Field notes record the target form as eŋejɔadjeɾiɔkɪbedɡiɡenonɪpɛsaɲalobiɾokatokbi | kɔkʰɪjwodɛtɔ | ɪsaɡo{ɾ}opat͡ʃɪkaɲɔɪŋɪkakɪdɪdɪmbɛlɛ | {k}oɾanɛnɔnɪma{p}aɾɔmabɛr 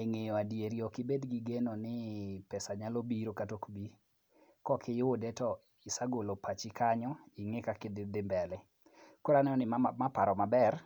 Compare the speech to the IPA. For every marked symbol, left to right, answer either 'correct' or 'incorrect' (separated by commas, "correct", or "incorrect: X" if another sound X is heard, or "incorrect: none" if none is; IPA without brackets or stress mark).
incorrect: l, correct, correct